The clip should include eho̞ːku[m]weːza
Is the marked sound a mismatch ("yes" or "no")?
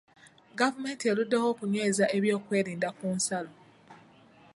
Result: yes